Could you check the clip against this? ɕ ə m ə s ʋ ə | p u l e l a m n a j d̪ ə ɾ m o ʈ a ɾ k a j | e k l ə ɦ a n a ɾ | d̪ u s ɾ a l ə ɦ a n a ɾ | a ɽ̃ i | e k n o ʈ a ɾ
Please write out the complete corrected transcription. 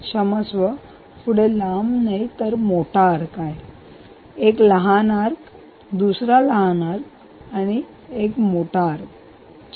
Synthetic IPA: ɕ ə m ə s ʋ ə | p u ɽ e l a m n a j t̪ ə ɾ m o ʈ a ɾ k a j | e k l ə ɦ a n a ɾ | d̪ u s ɾ a l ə ɦ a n a ɾ | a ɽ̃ i | e k m o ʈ a ɾ